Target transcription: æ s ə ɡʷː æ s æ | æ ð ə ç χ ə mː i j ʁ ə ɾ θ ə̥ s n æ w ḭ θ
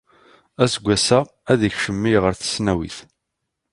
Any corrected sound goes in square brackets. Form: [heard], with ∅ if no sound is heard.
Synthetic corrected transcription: æ s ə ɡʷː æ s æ | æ ð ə ç [ʃ] ə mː i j ʁ ə ɾ θ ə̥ s n æ w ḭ θ